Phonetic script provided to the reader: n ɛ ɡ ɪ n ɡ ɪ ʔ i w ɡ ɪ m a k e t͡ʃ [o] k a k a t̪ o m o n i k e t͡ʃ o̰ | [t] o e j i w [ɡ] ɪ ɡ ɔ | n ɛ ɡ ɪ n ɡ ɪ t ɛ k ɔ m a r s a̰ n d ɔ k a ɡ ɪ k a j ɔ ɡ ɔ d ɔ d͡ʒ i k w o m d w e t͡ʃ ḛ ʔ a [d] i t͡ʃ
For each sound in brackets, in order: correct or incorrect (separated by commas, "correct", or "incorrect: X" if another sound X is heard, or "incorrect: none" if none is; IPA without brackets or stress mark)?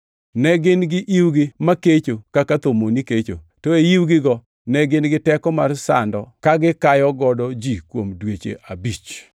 correct, correct, correct, incorrect: b